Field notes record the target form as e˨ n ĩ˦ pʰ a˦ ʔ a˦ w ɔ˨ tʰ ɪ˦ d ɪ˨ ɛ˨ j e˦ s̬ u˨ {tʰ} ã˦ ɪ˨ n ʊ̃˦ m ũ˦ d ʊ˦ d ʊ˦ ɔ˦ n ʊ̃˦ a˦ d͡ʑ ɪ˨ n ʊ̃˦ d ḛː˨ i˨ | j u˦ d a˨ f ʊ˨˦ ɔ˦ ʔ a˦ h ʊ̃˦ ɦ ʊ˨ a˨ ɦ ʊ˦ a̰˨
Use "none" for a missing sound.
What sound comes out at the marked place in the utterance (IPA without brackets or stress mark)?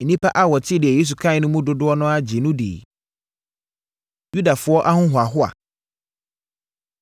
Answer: kʰ